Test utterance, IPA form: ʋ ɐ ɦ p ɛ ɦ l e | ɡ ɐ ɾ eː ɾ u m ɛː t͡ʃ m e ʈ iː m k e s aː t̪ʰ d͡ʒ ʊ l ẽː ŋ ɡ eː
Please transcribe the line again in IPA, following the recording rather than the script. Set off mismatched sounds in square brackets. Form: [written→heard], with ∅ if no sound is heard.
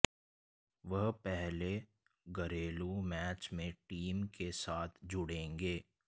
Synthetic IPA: ʋ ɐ ɦ p ɛ ɦ l e | ɡ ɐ ɾ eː [ɾ→l] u m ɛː t͡ʃ m [e→ẽ] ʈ iː m k e s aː t̪ʰ d͡ʒ ʊ [l→ɽ] ẽː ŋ ɡ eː